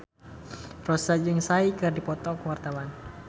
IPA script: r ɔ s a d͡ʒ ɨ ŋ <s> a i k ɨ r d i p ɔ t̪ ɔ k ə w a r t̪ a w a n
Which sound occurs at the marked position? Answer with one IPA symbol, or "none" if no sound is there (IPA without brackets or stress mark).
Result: s